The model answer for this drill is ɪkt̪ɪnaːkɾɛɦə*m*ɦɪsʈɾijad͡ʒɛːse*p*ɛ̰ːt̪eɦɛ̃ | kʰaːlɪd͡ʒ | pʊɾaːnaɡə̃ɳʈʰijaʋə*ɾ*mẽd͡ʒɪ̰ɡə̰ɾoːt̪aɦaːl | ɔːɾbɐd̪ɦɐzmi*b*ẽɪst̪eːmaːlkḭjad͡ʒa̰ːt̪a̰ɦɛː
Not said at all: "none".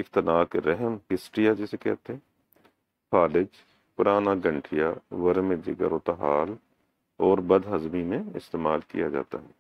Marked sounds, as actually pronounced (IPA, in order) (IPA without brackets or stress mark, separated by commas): m, k, ɾ, m